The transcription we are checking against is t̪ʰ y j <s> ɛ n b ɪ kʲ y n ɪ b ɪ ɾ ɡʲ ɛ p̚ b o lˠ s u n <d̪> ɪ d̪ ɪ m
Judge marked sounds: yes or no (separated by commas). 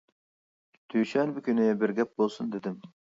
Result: no, yes